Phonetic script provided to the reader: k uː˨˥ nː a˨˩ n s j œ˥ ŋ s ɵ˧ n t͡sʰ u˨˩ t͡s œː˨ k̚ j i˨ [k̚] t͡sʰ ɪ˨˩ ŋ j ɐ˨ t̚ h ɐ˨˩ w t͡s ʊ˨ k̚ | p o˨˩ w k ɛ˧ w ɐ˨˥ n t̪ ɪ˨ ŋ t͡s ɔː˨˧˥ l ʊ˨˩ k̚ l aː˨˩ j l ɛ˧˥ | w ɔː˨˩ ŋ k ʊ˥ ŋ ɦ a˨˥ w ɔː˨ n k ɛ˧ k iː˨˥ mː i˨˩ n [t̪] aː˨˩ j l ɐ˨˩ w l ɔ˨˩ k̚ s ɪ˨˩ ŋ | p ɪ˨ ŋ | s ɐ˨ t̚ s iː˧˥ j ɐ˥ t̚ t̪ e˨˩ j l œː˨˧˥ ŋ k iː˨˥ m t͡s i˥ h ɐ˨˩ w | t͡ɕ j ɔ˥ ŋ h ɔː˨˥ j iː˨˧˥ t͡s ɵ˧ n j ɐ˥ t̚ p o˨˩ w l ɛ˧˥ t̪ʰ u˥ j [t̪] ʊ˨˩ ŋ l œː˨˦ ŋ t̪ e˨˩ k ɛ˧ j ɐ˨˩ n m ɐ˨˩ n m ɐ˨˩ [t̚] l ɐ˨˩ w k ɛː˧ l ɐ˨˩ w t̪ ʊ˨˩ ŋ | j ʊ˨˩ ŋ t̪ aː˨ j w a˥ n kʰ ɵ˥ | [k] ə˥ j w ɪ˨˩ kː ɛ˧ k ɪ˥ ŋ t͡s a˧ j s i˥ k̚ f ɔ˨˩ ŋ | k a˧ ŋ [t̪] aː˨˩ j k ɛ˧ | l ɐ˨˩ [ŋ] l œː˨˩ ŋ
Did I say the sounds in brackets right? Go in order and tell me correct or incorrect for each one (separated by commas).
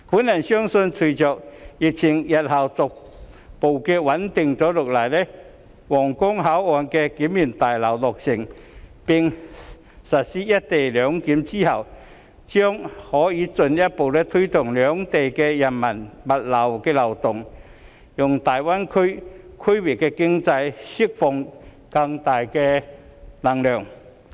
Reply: correct, correct, correct, correct, incorrect, correct, correct